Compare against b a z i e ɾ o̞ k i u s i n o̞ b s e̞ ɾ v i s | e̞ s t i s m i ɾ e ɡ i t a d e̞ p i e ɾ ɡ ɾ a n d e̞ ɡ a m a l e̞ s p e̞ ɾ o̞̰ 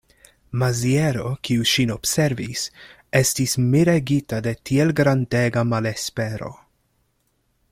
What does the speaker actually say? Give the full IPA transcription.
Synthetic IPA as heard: m a z i e ɾ o̞ k i u ʃ i n o̞ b s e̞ ɾ v i s | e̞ s t i s m i ɾ e ɡ i t a d e̞ t i e l ɡ ɾ a n d e̞ ɡ a m a l e̞ s p e̞ ɾ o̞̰

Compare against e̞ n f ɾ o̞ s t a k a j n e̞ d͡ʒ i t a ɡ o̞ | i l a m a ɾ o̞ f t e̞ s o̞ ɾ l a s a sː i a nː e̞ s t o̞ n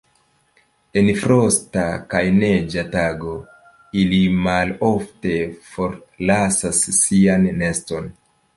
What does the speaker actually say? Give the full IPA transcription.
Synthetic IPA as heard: e̞ n f ɾ o̞ s t a k a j n e̞ d͡ʒ a t a ɡ o̞ | i l i m a l o̞ f t e̞ f o̞ ɾ l a s a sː i a nː e̞ s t o̞ n

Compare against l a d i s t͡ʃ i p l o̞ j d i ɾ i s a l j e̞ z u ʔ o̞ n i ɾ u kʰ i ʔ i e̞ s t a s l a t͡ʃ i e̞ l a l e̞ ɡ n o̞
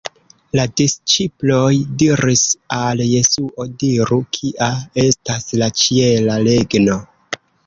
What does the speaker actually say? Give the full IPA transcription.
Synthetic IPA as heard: l a d i s t͡ʃ i p l o̞ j d i ɾ i s a l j e̞ s u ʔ o̞ d i ɾ u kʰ i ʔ a e̞ s t a s l a t͡ʃ i e̞ l a l e̞ ɡ n o̞

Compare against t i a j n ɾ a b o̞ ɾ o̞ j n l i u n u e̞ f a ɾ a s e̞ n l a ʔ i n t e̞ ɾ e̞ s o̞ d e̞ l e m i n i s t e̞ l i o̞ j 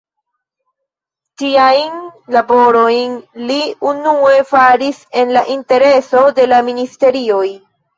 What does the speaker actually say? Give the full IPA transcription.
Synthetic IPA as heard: t i a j n l a b o̞ ɾ o̞ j n l i u n u e̞ f a ɾ i s e̞ n l a ʔ i n t e̞ ɾ e̞ s o̞ d e̞ l a m i n i s t e̞ ɾ i o̞ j

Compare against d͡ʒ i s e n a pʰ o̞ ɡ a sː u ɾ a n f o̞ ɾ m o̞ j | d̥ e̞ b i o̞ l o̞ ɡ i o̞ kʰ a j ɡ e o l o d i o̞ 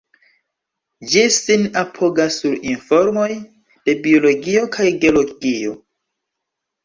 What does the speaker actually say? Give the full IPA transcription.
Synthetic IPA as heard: d͡ʒ i s i n a pʰ o̞ ɡ a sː u ɾ i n f o̞ ɾ m o̞ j | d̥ e̞ b i o̞ l o̞ ɡ i o̞ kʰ a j ɡ e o l o ɡ i o̞

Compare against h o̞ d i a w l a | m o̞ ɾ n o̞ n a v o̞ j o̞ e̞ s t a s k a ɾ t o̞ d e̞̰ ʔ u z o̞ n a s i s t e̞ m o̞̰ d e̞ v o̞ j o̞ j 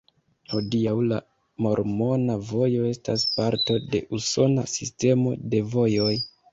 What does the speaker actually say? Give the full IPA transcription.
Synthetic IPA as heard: h o̞ d i a w l a | m o̞ ɾ m o̞ n a v o̞ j o̞ e̞ s t a s p a ɾ t o̞ d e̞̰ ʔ u s o̞ n a s i s t e̞ m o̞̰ d e̞ v o̞ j o̞ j

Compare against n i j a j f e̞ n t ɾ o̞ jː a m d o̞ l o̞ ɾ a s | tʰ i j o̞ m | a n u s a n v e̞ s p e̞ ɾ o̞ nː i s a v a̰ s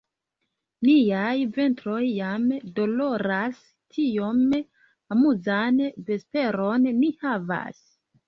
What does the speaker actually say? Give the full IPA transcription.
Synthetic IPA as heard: n i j a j v e̞ n t ɾ o̞ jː a m d o̞ l o̞ ɾ a s | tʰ i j o̞ m | a m u z a n v e̞ s p e̞ ɾ o̞ nː i h a v a̰ s

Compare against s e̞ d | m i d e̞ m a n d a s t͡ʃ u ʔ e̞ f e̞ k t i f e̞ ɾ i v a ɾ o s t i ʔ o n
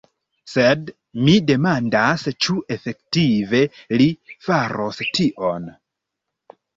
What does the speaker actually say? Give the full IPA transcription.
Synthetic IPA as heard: s e̞ d | m i d e̞ m a n d a s t͡ʃ u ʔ e̞ f e̞ k t i v e̞ l i f a ɾ o s t i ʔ o n

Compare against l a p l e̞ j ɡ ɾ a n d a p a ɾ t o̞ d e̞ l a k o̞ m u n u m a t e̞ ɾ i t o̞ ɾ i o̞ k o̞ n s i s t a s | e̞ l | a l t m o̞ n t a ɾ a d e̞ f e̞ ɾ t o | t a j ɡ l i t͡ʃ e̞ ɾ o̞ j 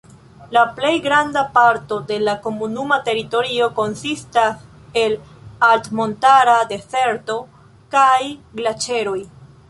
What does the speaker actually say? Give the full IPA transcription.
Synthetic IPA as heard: l a p l e̞ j ɡ ɾ a n d a p a ɾ t o̞ d e̞ l a k o̞ m u n u m a t e̞ ɾ i t o̞ ɾ i o̞ k o̞ n s i s t a s | e̞ l | a l t m o̞ n t a ɾ a d e̞ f e̞ ɾ t o | k a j ɡ l a t͡ʃ e̞ ɾ o̞ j

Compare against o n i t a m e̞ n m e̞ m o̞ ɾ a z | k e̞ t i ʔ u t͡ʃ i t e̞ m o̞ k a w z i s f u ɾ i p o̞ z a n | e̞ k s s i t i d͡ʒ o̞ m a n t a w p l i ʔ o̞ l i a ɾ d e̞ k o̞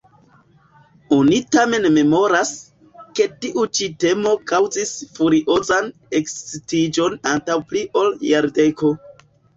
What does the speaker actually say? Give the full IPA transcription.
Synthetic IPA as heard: o n i t a m e̞ n m e̞ m o̞ ɾ a s | k e̞ t i ʔ u t͡ʃ i t e̞ m o̞ k a w z i s f u ɾ i ʔ o̞ z a n | e̞ k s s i t i d͡ʒ o̞ n a n t a w p l i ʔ o̞ l j a ɾ d e̞ k o̞

